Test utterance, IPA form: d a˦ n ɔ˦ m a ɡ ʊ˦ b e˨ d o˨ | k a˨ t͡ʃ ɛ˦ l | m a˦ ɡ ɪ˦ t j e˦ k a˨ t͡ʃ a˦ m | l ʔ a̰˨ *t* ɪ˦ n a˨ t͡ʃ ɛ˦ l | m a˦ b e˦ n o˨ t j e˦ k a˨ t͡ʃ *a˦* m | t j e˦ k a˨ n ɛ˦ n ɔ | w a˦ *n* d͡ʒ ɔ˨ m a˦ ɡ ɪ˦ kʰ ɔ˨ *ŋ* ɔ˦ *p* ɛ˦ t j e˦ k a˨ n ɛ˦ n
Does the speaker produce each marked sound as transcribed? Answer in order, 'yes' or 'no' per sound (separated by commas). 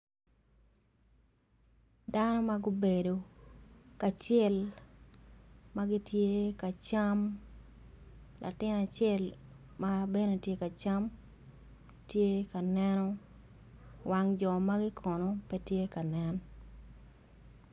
yes, yes, no, no, yes